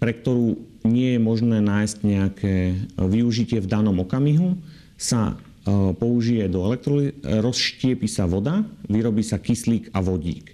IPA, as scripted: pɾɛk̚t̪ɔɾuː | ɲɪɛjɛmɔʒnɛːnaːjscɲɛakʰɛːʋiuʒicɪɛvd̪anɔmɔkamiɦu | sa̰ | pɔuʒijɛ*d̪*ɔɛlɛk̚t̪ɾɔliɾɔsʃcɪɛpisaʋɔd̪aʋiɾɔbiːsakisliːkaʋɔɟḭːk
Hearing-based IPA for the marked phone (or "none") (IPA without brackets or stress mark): d̪